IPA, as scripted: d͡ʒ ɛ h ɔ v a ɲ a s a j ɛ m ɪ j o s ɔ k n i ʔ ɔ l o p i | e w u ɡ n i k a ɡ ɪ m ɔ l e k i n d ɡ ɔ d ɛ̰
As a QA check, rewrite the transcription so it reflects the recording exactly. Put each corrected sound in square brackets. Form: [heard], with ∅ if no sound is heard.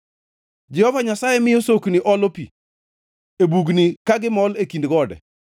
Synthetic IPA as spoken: d͡ʒ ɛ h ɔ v a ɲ a s a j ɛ m ɪ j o s [o] k n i ʔ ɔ l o p i | e [b] u ɡ n i k a ɡ ɪ m ɔ l e k i n d ɡ ɔ d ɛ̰

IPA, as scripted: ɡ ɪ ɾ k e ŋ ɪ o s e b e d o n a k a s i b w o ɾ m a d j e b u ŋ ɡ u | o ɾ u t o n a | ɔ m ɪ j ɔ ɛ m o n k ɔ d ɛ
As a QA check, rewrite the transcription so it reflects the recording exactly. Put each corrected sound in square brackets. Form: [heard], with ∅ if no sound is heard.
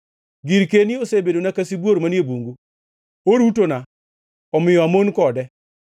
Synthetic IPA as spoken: ɡ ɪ ɾ k e [n] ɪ o s e b e d o n a k a s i b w o ɾ m a [n] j e b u ŋ ɡ u | o ɾ u t o n a | ɔ m ɪ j ɔ [a] m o n k ɔ d ɛ

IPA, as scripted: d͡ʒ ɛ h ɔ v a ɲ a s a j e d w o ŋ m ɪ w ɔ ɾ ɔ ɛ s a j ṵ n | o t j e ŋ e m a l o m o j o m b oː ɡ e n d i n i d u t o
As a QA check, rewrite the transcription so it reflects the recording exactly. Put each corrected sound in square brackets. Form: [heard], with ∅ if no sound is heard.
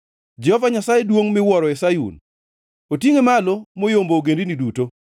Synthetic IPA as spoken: d͡ʒ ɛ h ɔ v a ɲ a s a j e d w o ŋ m ɪ w ɔ ɾ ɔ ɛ s a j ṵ n | o t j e ŋ e m a l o m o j o m b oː ɡ e n d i n i d u t o

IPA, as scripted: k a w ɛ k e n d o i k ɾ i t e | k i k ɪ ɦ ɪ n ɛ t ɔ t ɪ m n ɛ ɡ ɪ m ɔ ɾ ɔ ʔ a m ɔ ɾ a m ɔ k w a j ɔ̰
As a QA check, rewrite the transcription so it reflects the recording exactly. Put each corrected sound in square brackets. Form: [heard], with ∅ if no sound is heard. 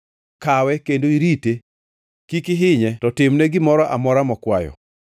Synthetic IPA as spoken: k a w ɛ k e n d o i [∅] ɾ i t e | k i k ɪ ɦ ɪ [ɲ] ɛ t ɔ t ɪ m n ɛ ɡ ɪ m ɔ ɾ ɔ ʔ a m ɔ ɾ a m ɔ k w a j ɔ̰

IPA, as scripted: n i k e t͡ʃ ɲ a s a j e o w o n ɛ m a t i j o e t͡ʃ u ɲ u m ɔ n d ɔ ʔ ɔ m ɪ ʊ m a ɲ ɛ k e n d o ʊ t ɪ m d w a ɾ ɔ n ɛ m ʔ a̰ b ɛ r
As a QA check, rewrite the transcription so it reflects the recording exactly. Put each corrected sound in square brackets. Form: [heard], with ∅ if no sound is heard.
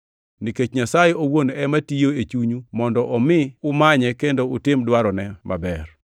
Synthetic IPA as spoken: n i k e t͡ʃ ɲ a s a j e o w o n ɛ m a t i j o e t͡ʃ u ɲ u m ɔ n d ɔ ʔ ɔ m ɪ ʊ m a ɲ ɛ k e n d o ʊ t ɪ m d w a ɾ ɔ n ɛ m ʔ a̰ b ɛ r

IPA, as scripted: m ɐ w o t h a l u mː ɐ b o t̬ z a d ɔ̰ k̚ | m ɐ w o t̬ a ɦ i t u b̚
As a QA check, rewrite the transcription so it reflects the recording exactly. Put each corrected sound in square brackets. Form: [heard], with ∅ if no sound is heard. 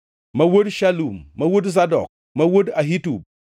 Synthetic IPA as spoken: m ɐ w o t [ʃ] a l u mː ɐ [w] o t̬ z a d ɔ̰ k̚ | m ɐ w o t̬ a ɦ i t u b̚

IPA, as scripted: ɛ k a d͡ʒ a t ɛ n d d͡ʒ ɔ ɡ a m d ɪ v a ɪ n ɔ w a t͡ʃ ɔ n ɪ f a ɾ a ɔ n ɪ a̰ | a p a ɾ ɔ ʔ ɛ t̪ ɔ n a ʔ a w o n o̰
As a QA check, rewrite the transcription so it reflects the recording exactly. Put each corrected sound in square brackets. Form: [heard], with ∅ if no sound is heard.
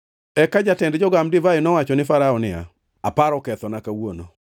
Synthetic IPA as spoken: ɛ k a d͡ʒ a t ɛ n d d͡ʒ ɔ ɡ a m d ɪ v a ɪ n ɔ w a t͡ʃ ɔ n ɪ f a ɾ a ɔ n ɪ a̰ | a p a ɾ ɔ [k] ɛ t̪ ɔ n a [k] a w o n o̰

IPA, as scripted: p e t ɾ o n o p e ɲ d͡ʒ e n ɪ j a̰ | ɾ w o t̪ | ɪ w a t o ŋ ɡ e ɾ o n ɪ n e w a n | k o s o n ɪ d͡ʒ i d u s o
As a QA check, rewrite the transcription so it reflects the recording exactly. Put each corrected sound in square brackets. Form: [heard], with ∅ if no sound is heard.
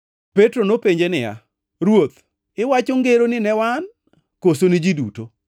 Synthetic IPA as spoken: p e t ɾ o n o p e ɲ d͡ʒ e n ɪ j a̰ | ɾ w o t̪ | ɪ w a [t͡ʃ] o ŋ ɡ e ɾ o n ɪ n [ɛ] w a n | k o s o n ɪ d͡ʒ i d u [t] o

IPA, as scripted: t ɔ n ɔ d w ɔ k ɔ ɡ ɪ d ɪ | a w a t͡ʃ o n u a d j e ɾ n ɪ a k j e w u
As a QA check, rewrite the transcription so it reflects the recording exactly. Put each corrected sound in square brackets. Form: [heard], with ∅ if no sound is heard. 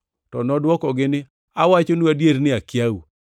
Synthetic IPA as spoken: t ɔ n ɔ d w ɔ k ɔ ɡ ɪ [n] ɪ | a w a t͡ʃ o n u a d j e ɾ n ɪ a k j [a] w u

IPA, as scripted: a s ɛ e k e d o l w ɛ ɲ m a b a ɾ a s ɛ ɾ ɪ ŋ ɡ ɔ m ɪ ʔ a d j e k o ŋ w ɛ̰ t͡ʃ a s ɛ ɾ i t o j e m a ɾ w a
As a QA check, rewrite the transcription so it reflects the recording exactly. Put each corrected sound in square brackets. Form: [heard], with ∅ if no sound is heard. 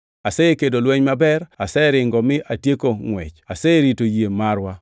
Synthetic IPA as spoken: a s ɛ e k e d o l w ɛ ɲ m a b [ɛ] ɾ a s ɛ ɾ ɪ ŋ ɡ ɔ m ɪ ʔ a [t] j e k o ŋ w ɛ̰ t͡ʃ a s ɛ ɾ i t o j e m a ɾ w a

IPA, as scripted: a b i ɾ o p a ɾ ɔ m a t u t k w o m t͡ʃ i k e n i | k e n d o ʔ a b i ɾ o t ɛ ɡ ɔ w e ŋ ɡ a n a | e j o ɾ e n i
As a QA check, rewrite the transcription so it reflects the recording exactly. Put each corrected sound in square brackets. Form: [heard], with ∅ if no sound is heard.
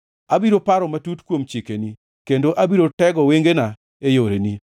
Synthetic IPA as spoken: a b i ɾ o p a ɾ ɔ m a t u t k w o m t͡ʃ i k e n i | k e n d o ʔ a b i ɾ o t ɛ ɡ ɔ w e ŋ ɡ [e] n a | e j o ɾ e n i

